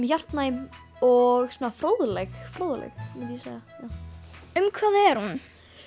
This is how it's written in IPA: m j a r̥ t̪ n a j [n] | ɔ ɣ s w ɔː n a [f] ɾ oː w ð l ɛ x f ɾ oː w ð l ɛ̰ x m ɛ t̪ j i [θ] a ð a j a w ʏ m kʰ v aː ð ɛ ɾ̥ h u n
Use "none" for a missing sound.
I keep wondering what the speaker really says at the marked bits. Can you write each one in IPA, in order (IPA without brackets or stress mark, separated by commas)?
m, f, s